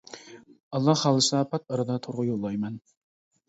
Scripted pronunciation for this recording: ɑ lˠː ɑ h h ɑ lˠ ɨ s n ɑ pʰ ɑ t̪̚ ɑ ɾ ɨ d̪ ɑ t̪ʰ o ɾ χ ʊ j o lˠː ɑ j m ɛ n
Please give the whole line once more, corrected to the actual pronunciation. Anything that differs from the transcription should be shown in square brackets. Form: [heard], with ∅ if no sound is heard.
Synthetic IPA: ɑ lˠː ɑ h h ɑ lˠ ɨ s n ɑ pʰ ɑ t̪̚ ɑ ɾ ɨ d̪ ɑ t̪ʰ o ɾ [ʁ] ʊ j o lˠː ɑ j m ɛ n